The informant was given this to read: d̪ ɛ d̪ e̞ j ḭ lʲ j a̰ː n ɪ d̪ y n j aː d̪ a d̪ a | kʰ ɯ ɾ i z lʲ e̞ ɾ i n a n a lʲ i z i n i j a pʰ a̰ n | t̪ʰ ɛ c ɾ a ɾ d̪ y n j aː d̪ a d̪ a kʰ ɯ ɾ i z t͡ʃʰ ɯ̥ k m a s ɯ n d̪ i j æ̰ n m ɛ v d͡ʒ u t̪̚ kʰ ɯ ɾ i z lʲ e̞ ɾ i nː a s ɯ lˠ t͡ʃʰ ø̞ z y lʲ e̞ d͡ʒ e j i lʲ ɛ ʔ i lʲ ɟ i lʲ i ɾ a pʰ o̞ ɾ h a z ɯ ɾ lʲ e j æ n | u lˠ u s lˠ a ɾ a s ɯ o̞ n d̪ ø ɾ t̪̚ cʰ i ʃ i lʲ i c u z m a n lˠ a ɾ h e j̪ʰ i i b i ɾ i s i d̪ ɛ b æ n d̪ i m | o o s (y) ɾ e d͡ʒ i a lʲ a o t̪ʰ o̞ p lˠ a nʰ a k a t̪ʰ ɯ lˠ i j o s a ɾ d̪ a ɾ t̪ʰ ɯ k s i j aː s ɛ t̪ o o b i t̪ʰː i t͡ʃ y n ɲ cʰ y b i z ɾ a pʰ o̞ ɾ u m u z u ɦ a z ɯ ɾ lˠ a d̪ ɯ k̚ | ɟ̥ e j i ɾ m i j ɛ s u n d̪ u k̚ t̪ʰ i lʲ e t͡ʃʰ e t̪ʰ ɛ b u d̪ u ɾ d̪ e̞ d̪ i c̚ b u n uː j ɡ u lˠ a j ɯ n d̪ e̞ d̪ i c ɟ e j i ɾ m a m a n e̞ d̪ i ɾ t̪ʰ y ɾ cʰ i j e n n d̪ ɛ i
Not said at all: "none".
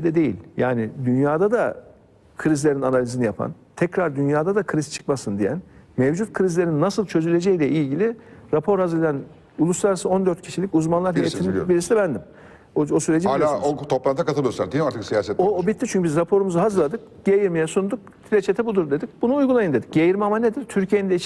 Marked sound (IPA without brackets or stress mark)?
y